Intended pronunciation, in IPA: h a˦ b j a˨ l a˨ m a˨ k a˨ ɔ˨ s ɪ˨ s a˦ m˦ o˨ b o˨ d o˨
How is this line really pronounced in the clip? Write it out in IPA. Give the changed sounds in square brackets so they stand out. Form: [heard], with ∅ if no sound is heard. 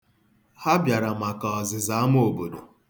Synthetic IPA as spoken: h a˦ b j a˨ [ɾ] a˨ m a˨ k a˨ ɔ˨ [z] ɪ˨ [z] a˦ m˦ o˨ b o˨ d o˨